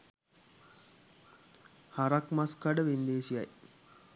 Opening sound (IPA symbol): h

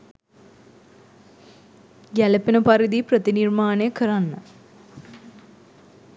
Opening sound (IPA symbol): ɡ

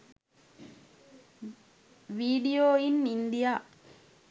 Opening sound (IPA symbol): ʋ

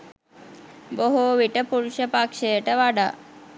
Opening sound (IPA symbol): b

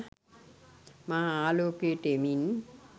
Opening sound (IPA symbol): m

